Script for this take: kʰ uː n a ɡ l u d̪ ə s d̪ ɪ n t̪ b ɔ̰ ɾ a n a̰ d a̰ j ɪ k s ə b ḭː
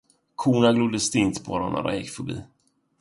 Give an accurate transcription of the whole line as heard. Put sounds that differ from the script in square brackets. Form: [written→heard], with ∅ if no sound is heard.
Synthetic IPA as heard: kʰ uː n a ɡ l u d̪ ə s [d̪→t̪] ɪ n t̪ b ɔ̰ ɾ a n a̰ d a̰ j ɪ k [s→f] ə b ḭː

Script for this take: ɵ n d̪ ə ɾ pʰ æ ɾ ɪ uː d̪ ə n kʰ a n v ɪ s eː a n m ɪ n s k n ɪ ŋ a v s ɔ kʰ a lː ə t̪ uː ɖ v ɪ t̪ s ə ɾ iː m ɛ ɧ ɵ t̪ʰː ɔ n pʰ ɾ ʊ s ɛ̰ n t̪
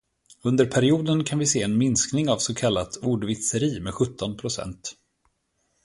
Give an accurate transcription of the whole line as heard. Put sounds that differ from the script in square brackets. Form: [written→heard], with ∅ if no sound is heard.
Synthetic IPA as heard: ɵ n d̪ ə ɾ pʰ æ ɾ ɪ uː d̪ ə n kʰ a n v ɪ s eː [a→ɛ] n m ɪ n s k n ɪ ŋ a v s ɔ kʰ a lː [ə→a] t̪ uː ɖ v ɪ t̪ s ə ɾ iː m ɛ ɧ ɵ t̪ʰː ɔ n pʰ ɾ ʊ s ɛ̰ n t̪

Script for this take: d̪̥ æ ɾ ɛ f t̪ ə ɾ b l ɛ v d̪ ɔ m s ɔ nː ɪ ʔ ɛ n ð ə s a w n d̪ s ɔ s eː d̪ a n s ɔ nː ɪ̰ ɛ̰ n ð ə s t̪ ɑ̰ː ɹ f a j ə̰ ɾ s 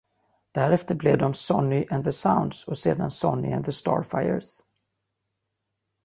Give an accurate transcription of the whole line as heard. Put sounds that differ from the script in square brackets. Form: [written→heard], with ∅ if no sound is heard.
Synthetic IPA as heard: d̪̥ æ ɾ ɛ f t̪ ə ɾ b l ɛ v d̪ ɔ m s ɔ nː ɪ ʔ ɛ n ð ə s a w n d̪ s ɔ s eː d̪ a n s ɔ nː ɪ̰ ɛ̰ n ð ə s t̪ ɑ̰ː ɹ f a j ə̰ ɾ s

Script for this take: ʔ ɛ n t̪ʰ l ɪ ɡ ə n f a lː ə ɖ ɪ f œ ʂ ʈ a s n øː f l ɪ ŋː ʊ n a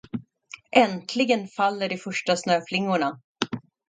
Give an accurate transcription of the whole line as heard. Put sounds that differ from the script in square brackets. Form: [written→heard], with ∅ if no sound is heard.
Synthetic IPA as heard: ʔ ɛ n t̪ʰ l ɪ ɡ ə n f a lː ə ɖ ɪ f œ ʂ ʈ a s n øː f l ɪ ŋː ʊ [n→ɳ] a

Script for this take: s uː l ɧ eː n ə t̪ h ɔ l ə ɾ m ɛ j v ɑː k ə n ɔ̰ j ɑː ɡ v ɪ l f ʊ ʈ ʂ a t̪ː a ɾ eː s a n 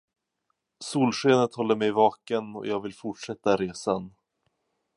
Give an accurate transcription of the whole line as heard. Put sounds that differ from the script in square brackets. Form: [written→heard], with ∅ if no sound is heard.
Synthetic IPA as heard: s uː l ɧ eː n ə t̪ h ɔ [l→lː] ə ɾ m ɛ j v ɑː k ə n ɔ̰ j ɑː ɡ v ɪ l f ʊ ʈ ʂ [a→ɛ] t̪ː a ɾ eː s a n

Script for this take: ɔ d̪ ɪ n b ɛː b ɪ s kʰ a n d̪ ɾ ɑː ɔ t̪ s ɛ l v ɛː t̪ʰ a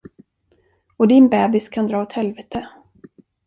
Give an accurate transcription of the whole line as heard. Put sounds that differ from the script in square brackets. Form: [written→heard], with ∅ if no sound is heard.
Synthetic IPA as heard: ɔ d̪ ɪ n b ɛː b ɪ s kʰ a n d̪ ɾ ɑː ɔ t̪ [s→h] ɛ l v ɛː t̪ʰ [a→ə]

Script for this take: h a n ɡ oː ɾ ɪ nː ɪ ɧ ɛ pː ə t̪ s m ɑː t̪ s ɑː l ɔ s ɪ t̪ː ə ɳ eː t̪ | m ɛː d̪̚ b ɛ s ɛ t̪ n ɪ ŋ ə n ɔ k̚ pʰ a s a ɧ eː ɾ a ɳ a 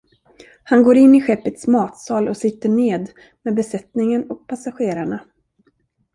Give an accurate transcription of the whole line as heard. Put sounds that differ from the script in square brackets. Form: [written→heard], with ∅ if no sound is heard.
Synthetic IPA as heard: h a n ɡ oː ɾ ɪ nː ɪ ɧ ɛ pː ə t̪ s m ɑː t̪ s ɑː l ɔ s ɪ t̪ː ə ɳ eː [t̪→d̪] | m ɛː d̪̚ b ɛ s ɛ t̪ n ɪ ŋ ə n ɔ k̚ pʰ a s a ɧ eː ɾ a ɳ a

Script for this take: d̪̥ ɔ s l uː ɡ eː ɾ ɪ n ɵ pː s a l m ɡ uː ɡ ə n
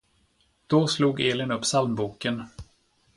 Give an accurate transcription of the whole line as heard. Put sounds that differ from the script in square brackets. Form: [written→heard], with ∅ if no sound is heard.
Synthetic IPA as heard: d̪̥ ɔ s l uː ɡ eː [ɾ→l] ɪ n ɵ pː s a l m [ɡ→b] uː [ɡ→k] ə n

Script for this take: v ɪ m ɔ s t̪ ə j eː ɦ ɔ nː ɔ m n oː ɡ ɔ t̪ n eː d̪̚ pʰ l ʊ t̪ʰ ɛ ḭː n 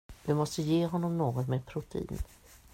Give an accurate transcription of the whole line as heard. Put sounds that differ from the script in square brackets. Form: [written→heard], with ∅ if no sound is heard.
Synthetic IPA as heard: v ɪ m ɔ s t̪ ə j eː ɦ ɔ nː ɔ m n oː ɡ ɔ t̪ [n→m] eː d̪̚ pʰ [l→ɾ] ʊ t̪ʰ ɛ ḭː n

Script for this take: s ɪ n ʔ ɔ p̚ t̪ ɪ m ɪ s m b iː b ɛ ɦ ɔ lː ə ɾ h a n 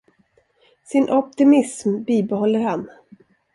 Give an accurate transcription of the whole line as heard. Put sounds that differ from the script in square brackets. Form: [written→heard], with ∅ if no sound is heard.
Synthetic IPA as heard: s ɪ n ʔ ɔ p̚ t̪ ɪ m ɪ s m b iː b ɛ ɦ ɔ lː ə ɾ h a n

